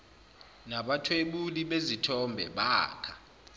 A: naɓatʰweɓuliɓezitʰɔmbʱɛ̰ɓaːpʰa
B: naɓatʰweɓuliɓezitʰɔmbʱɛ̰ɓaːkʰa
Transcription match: B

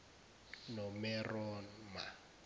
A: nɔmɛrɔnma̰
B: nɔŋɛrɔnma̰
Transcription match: A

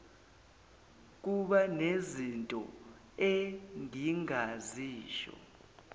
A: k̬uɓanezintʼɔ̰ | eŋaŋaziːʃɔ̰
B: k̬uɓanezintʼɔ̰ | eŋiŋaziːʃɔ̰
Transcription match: B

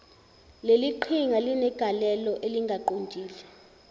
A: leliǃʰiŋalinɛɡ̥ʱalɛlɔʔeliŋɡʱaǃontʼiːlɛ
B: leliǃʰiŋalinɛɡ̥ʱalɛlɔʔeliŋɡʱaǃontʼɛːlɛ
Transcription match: A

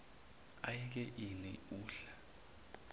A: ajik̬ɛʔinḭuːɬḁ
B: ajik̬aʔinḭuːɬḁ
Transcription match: A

